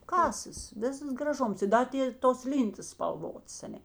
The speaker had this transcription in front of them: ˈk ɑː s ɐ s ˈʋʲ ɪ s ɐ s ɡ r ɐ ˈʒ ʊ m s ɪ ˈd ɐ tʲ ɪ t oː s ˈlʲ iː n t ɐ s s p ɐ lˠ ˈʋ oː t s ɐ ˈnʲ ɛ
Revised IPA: ˈk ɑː s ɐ s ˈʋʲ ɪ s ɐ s ɡ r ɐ ˈʒ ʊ m s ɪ ˈd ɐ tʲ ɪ t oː s ˈlʲ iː n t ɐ s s p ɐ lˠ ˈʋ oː t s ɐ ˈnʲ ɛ

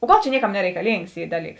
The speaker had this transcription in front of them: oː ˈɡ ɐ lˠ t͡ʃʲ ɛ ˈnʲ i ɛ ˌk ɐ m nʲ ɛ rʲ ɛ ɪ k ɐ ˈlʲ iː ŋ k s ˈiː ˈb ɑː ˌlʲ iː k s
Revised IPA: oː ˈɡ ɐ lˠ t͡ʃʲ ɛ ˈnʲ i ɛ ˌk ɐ m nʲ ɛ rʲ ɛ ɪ k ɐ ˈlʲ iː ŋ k s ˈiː ˈd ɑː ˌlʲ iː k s

